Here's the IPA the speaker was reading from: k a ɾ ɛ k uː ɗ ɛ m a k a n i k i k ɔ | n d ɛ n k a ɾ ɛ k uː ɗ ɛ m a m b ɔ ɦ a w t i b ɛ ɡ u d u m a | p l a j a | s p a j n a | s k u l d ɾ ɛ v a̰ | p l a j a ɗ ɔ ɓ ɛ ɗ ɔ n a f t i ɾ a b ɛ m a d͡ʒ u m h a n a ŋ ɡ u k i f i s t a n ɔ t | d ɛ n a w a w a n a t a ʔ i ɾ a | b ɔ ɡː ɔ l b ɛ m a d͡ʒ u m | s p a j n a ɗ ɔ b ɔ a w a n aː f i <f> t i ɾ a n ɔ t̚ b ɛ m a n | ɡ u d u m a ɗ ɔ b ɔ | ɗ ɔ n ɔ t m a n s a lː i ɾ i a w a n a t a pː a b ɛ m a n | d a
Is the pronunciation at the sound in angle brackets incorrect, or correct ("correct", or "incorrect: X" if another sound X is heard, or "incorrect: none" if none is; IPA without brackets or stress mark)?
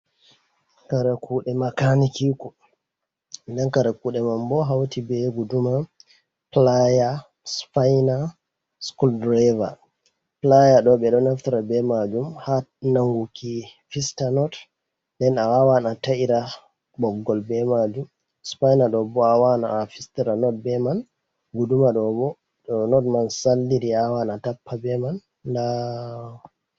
incorrect: s